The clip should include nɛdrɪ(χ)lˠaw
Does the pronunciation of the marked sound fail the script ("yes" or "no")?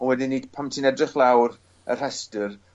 no